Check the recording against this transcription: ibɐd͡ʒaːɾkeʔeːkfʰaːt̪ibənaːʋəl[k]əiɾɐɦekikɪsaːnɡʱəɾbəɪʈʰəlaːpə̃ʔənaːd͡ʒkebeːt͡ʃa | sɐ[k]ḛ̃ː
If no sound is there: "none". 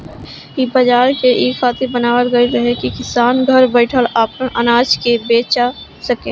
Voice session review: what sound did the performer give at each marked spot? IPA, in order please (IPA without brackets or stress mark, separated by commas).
ɡ, k